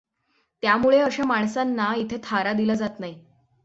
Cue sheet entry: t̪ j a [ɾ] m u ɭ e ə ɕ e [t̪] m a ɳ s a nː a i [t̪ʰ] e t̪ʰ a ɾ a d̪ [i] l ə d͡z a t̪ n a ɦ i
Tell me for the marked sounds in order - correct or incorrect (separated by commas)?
incorrect, incorrect, correct, correct